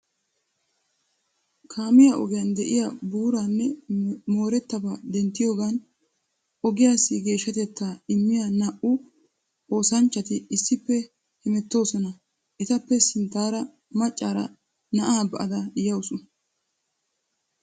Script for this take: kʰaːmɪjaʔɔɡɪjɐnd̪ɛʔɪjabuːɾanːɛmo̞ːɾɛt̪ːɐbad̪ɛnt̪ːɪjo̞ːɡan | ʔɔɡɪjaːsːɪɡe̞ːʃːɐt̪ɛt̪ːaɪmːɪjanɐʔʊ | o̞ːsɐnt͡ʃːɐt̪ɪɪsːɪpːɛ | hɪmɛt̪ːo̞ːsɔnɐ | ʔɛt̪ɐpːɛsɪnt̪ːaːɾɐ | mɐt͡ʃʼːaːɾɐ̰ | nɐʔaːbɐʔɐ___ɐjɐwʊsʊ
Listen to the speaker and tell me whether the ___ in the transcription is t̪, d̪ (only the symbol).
d̪